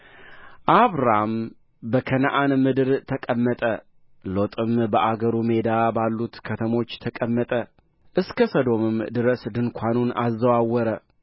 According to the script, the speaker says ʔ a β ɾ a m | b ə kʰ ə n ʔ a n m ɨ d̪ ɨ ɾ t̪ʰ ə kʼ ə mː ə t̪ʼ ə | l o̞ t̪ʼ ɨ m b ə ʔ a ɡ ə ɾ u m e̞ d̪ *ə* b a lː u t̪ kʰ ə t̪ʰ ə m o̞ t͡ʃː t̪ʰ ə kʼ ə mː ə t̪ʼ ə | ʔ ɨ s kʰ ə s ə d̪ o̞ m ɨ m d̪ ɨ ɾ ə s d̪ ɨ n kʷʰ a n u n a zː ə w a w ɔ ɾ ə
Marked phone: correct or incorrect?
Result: incorrect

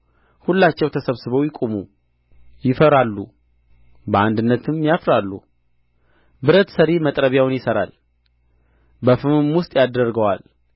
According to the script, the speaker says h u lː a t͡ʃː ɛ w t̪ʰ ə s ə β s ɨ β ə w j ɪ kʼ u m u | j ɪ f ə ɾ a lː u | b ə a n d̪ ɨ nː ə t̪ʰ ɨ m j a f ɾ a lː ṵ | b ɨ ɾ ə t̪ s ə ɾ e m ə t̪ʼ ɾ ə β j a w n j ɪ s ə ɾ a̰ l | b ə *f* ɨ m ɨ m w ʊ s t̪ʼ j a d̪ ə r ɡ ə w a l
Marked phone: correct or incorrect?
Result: correct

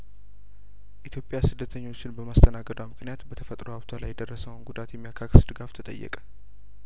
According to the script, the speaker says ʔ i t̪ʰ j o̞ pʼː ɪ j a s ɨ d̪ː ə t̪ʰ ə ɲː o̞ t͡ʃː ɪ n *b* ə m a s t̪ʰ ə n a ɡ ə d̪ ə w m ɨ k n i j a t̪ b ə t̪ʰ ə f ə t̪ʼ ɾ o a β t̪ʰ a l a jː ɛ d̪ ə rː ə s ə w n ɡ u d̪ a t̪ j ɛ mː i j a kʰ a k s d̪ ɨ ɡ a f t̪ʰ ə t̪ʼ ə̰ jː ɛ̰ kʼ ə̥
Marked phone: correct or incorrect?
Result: correct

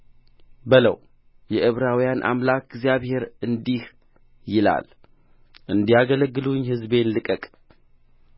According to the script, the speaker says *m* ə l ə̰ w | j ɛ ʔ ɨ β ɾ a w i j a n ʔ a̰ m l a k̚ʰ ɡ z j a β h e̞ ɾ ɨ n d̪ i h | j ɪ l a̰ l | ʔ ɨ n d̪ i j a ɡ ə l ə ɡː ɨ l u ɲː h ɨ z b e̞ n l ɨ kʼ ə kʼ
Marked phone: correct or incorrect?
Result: incorrect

